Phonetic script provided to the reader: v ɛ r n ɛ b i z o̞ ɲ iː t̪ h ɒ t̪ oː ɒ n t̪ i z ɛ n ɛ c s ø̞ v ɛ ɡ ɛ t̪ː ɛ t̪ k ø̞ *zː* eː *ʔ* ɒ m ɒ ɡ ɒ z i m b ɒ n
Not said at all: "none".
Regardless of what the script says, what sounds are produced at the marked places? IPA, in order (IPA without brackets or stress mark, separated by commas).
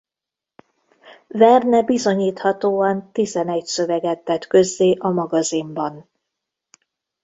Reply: zː, ʔ